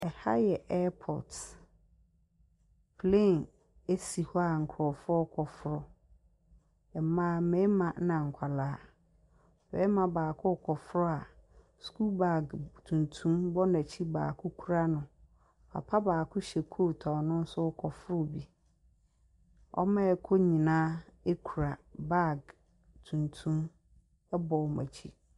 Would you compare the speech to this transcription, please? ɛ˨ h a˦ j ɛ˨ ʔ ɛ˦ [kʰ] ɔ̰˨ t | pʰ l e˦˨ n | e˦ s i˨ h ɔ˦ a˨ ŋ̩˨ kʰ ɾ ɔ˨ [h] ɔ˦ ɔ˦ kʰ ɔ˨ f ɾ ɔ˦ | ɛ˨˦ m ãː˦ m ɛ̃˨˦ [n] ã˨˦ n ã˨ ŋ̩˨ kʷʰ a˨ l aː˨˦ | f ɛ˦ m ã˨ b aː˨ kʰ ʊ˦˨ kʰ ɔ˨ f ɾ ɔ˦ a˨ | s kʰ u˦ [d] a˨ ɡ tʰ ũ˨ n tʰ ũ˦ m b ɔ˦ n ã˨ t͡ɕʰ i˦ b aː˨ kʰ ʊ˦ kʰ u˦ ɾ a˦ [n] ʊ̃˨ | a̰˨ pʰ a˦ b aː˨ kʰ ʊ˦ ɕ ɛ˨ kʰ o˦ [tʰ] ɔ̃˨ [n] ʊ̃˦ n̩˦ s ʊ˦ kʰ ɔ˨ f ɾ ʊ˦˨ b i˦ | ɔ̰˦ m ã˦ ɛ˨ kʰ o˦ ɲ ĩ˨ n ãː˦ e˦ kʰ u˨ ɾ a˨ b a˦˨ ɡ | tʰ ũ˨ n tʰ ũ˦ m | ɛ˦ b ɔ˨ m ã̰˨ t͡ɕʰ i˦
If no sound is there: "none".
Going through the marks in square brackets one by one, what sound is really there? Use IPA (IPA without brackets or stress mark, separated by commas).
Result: pʰ, f, m, b, n, tʰ, n